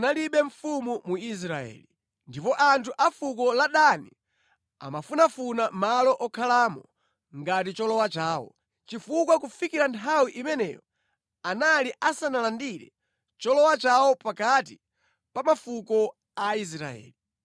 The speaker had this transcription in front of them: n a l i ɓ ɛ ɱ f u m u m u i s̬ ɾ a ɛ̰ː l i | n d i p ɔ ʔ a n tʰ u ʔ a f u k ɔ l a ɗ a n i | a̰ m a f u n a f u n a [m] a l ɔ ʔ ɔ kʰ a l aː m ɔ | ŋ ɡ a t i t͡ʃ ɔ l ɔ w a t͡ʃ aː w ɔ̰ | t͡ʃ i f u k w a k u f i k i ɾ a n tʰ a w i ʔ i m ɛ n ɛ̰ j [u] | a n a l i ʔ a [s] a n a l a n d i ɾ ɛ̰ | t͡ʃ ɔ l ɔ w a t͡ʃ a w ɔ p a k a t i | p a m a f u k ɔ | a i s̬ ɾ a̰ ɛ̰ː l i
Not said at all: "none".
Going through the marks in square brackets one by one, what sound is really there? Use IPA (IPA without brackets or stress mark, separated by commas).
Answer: m, ɔ, s